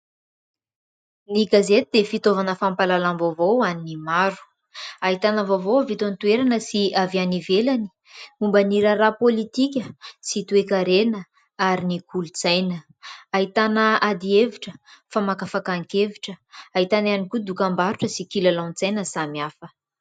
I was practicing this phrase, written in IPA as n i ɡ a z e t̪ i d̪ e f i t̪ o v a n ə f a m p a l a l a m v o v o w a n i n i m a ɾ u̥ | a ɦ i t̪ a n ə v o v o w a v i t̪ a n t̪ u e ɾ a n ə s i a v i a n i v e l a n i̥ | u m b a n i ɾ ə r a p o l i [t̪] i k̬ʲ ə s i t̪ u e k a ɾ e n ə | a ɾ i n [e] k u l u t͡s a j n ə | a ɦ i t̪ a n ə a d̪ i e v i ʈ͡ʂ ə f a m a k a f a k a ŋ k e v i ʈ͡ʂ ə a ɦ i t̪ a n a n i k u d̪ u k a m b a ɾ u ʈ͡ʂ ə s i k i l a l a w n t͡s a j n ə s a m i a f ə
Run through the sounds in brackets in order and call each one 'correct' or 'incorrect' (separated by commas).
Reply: correct, incorrect